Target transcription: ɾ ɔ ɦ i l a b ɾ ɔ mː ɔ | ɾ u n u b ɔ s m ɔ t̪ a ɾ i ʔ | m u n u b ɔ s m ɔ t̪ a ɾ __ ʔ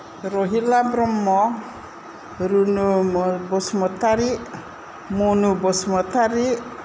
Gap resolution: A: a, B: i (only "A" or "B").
B